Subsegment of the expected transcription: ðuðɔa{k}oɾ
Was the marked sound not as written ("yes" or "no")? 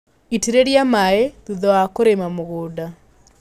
no